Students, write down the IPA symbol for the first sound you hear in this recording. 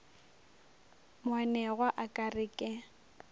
m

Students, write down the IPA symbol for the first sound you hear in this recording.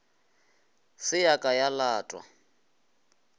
s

